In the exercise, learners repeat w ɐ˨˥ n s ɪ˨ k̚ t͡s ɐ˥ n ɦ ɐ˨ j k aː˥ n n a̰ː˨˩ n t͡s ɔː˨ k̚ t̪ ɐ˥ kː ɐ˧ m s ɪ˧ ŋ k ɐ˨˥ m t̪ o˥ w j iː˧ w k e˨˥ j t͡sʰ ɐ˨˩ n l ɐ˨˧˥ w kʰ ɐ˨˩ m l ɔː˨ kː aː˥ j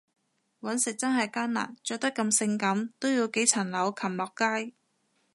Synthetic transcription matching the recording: w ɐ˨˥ n s ɪ˨ k̚ t͡s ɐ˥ n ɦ ɐ˨ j k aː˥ n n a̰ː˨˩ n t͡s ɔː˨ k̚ t̪ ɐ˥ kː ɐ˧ m s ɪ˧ ŋ k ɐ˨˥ m t̪ o˥ w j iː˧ w k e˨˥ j t͡sʰ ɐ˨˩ n l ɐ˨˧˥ w kʰ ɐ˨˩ m l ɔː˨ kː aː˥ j

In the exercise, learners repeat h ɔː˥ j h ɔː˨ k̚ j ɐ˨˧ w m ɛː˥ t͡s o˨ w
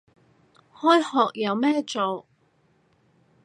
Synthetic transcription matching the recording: h ɔː˥ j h ɔː˨ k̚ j ɐ˨˧ w m ɛː˥ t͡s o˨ w

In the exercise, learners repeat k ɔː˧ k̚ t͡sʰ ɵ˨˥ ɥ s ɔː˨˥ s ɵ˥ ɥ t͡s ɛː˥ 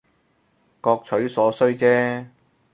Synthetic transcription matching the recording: k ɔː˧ k̚ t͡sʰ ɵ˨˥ ɥ s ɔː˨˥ s ɵ˥ ɥ t͡s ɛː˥

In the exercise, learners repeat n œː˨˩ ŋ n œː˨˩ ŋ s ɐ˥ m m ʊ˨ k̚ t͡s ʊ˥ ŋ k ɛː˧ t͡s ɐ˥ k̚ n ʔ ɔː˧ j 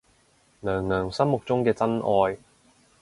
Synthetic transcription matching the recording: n œː˨˩ ŋ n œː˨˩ ŋ s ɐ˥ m m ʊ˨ k̚ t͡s ʊ˥ ŋ k ɛː˧ t͡s ɐ˥ n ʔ ɔː˧ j

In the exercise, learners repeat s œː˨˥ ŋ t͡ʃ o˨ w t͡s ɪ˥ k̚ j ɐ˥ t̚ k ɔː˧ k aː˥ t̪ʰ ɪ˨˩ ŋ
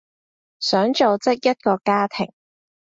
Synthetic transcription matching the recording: s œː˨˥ ŋ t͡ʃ o˨ w t͡s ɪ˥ k̚ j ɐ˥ t̚ k ɔː˧ k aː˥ t̪ʰ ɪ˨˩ ŋ

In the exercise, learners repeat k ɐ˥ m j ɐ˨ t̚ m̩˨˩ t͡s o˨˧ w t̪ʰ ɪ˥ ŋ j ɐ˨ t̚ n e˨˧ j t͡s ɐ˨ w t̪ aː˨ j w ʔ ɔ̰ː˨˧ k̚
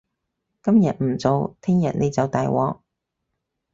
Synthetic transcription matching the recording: k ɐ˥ m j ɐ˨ t̚ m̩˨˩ t͡s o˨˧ w t̪ʰ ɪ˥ ŋ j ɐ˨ t̚ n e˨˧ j t͡s ɐ˨ w t̪ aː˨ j w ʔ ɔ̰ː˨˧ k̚

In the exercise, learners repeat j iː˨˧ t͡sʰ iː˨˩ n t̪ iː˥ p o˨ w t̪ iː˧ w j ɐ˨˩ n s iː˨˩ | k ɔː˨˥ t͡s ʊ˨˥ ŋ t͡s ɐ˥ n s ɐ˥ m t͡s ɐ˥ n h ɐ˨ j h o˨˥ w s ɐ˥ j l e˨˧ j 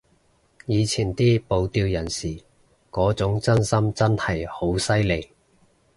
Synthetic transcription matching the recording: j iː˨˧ t͡sʰ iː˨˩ n t̪ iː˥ p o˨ w t̪ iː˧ w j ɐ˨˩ n s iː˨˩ | k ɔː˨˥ t͡s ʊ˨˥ ŋ t͡s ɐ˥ n s ɐ˥ m t͡s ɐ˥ n h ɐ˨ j h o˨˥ w s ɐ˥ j l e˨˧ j

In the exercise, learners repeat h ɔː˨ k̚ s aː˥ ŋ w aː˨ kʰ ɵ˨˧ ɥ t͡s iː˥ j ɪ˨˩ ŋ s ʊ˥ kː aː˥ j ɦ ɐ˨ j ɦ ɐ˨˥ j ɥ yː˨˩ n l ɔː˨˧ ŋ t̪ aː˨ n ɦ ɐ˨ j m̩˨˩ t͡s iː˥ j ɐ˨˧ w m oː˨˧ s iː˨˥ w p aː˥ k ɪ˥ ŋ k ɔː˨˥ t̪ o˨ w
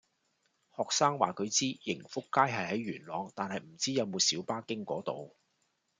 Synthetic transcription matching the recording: h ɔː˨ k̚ s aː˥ ŋ w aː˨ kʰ ɵ˨˧ ɥ t͡s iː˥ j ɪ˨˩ ŋ f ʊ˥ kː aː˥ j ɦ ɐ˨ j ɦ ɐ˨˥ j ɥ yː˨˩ n l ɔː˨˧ ŋ t̪ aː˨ n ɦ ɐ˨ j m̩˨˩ t͡s iː˥ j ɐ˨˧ w m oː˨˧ s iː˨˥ w p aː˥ k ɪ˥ ŋ k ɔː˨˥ t̪ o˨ w

